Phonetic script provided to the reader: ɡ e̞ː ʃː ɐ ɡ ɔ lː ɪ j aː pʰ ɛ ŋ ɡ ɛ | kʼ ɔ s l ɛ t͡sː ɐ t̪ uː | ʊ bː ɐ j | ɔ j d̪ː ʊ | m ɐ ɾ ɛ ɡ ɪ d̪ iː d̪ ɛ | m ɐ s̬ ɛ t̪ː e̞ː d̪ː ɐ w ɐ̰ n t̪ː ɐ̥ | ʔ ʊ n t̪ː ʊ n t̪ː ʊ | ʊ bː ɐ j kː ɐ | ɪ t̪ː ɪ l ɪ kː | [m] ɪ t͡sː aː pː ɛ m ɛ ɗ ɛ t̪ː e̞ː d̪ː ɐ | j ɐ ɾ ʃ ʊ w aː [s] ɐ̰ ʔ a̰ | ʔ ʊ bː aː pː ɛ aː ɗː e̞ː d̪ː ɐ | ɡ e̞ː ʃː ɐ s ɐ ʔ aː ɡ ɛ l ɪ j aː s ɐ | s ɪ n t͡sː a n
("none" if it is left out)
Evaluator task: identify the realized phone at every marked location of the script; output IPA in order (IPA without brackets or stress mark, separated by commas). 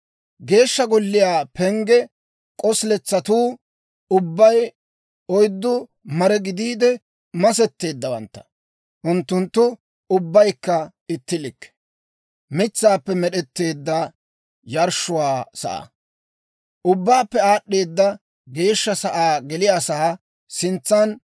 m, s